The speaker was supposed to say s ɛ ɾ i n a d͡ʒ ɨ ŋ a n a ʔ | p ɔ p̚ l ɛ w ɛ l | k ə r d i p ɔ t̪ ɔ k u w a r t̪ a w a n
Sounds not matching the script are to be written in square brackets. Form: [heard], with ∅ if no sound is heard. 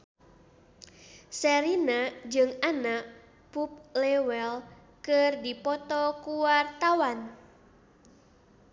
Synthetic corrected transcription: s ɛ ɾ i n a d͡ʒ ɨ ŋ a n a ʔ | p [u] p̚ l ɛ w ɛ l | k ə r d i p ɔ t̪ ɔ k u w a r t̪ a w a n